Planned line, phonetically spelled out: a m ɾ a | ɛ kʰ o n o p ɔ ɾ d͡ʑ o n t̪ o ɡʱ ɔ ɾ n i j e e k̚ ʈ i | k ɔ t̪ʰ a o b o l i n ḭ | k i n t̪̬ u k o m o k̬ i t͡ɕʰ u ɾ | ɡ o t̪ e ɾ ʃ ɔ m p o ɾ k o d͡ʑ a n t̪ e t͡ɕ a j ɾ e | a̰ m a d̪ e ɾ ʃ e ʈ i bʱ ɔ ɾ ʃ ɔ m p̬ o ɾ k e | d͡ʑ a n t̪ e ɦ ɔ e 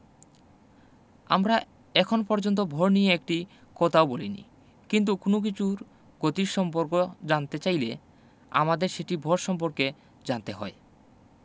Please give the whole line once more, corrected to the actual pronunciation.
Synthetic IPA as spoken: a m ɾ a | ɛ kʰ o n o p ɔ ɾ d͡ʑ o n t̪ o bʱ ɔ ɾ n i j e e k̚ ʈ i | k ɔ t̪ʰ a o b o l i n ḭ | k i n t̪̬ u k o n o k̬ i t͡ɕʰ u ɾ | ɡ o t̪ i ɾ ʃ ɔ m p o ɾ k o d͡ʑ a n t̪ e t͡ɕ a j l e | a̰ m a d̪ e ɾ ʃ e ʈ i bʱ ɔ ɾ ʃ ɔ m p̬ o ɾ k e | d͡ʑ a n t̪ e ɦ ɔ e